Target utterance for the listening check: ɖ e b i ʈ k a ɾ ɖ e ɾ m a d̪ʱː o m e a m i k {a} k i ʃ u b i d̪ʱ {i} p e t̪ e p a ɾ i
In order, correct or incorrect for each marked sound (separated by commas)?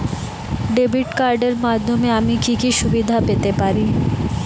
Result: incorrect, incorrect